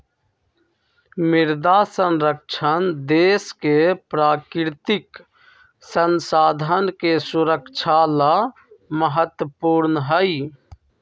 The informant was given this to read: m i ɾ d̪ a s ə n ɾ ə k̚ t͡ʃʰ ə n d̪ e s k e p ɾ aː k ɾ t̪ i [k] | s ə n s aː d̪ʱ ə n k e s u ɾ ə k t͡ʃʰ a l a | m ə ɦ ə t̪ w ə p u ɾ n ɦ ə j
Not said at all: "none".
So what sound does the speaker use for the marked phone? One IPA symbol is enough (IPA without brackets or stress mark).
k